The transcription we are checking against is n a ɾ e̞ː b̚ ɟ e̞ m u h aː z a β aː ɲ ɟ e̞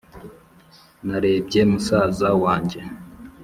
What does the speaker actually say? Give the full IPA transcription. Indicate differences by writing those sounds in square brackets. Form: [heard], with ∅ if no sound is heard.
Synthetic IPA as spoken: n a ɾ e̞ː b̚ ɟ e̞ m u [s] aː z a [w] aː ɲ ɟ e̞